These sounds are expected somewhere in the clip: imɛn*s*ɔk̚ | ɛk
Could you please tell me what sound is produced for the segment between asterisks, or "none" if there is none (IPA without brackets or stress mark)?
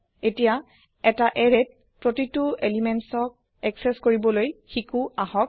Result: s